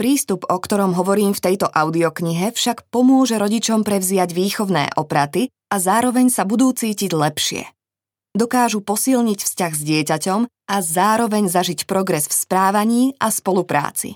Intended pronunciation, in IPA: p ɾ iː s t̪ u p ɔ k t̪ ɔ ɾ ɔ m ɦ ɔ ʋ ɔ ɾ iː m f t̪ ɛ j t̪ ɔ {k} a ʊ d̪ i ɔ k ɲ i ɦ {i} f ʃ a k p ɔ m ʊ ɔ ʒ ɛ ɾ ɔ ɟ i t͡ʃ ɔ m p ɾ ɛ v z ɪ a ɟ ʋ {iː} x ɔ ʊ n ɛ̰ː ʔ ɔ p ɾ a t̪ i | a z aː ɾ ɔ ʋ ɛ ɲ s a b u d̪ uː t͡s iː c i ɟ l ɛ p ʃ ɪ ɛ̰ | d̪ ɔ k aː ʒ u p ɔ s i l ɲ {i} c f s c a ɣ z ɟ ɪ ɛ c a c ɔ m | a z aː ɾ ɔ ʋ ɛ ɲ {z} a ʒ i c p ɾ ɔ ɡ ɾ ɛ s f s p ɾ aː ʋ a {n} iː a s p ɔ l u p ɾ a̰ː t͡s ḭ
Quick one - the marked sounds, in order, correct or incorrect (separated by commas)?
incorrect, incorrect, correct, correct, correct, incorrect